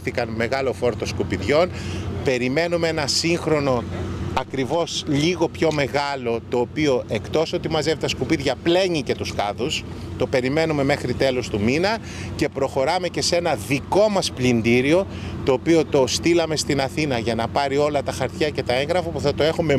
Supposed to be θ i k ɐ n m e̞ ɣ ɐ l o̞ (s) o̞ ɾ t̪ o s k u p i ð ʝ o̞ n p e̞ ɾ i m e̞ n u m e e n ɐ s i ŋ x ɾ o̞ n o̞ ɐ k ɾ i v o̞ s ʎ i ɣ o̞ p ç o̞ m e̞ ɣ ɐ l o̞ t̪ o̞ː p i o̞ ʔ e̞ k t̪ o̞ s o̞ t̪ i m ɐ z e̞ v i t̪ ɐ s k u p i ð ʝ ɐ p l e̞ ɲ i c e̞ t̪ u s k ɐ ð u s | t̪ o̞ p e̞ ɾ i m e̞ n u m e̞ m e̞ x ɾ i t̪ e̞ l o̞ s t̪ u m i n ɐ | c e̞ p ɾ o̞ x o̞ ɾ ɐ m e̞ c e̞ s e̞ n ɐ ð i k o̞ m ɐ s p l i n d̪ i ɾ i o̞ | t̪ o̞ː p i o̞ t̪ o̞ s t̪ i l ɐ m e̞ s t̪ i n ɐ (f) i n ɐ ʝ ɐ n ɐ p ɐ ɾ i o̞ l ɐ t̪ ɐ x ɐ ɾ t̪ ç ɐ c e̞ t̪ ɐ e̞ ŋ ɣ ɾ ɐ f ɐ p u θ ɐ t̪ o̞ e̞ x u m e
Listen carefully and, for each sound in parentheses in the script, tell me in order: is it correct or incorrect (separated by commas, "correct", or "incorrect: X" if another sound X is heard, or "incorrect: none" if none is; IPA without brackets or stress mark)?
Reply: incorrect: f, incorrect: θ